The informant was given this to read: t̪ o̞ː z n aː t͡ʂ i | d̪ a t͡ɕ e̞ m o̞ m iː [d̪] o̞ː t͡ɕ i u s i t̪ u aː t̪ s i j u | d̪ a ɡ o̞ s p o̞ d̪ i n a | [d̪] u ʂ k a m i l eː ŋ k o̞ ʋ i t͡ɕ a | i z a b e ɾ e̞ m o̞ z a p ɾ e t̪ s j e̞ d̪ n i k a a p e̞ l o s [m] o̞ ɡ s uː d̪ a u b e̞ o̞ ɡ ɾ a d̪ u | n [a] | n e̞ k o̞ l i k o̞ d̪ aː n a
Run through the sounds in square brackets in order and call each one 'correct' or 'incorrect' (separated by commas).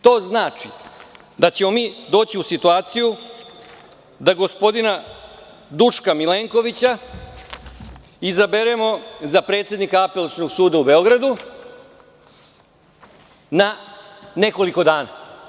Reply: correct, correct, incorrect, correct